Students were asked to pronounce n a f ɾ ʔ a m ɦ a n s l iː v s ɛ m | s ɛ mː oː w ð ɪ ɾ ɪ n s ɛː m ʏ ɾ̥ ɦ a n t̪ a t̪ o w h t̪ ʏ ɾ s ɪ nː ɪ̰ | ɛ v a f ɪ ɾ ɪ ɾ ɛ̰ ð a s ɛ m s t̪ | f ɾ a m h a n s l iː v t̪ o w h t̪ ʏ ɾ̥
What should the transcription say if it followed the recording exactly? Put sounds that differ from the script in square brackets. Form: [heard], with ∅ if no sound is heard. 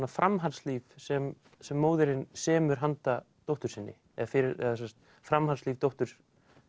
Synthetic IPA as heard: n a f ɾ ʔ a m ɦ a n s l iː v s ɛ m | s ɛ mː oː w ð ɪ ɾ ɪ n s ɛː m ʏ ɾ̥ ɦ a n t̪ a t̪ o w h t̪ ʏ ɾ s ɪ nː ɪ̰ | ɛ [ð] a f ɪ ɾ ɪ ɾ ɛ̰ ð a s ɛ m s t̪ | f ɾ a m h a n s l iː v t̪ o w h t̪ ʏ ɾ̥

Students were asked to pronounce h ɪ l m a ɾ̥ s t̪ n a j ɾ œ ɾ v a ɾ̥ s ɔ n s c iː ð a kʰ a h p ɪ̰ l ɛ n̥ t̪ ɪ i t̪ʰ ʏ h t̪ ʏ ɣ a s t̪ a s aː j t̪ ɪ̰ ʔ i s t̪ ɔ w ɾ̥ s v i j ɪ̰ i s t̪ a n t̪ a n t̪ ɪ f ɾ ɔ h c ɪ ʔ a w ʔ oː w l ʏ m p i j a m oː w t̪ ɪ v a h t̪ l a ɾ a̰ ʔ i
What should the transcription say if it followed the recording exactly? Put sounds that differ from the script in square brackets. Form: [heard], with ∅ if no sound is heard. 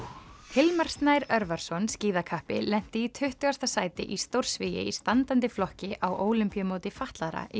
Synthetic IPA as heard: h ɪ l m a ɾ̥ s t̪ n a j ɾ œ ɾ v a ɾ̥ s ɔ n s c iː ð a kʰ a h p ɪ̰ l ɛ n̥ t̪ ɪ i t̪ʰ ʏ h t̪ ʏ ɣ a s t̪ a s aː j t̪ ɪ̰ ʔ i s t̪ [o] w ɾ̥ s v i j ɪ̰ i s t̪ a n t̪ a n t̪ ɪ f [l] ɔ h c ɪ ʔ a w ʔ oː w l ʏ m p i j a m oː w t̪ ɪ [f] a h t̪ l a ɾ a̰ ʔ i

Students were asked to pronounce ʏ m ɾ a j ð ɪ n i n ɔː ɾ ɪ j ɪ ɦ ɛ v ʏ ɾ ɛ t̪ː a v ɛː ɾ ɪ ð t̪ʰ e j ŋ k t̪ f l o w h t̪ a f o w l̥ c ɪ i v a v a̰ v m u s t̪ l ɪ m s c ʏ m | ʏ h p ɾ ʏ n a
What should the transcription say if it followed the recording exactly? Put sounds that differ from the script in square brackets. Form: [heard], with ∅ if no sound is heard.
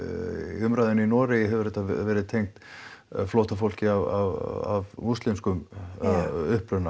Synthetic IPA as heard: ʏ m ɾ a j ð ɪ n i n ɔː ɾ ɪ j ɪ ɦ ɛ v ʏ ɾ ɛ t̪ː a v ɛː ɾ ɪ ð t̪ʰ e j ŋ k t̪ f l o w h t̪ a f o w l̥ c ɪ [a] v a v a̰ v m u s t̪ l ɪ m s [k] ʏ m | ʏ h p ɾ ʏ n a

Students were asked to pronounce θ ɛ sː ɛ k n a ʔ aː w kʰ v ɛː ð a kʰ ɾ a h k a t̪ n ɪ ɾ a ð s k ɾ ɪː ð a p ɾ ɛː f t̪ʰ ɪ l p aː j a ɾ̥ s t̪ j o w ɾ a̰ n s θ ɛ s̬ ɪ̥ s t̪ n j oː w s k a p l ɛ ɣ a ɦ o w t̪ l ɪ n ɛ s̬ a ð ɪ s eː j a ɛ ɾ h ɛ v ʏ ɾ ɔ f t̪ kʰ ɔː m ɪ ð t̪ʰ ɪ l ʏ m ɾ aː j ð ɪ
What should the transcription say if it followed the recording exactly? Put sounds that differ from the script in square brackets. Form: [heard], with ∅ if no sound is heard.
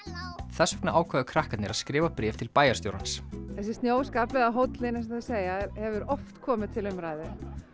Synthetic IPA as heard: θ ɛ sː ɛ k n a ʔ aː w kʰ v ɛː ð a kʰ ɾ a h k a t̪ n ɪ ɾ a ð s k ɾ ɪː [v] a p ɾ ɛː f t̪ʰ ɪ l p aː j a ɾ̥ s t̪ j o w ɾ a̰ n s θ ɛ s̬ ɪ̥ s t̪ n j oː w s k a p l ɛ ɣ a ɦ o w t̪ l ɪ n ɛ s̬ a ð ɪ s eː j a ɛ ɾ h ɛ v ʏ ɾ ɔ f t̪ kʰ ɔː m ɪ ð t̪ʰ ɪ l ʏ m ɾ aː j ð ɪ

